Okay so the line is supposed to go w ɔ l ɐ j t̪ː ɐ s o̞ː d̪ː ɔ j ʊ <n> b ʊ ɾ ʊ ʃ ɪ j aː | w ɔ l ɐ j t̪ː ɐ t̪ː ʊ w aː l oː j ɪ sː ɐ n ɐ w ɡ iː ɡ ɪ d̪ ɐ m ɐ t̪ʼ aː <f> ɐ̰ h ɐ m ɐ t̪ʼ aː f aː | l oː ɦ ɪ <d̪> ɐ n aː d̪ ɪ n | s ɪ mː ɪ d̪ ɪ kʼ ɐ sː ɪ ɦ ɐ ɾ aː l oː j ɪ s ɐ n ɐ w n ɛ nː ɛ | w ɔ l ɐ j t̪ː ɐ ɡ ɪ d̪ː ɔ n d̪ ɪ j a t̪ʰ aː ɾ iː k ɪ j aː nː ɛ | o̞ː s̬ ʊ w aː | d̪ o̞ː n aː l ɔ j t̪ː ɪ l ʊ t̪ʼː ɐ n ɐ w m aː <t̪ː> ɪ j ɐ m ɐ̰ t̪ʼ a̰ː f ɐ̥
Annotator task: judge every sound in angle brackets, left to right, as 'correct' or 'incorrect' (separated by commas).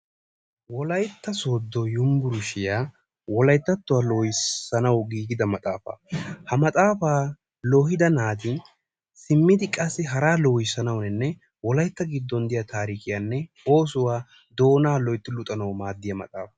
incorrect, correct, correct, incorrect